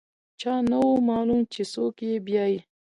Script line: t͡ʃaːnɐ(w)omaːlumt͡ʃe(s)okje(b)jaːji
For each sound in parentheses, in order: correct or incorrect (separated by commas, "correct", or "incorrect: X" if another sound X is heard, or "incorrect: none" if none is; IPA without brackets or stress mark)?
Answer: correct, correct, correct